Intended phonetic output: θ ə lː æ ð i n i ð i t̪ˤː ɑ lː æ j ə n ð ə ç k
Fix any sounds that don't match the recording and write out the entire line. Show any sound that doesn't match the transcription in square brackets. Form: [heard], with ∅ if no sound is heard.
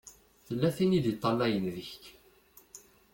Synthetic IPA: θ ə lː æ [θ] i n i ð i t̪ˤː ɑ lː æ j ə n ð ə ç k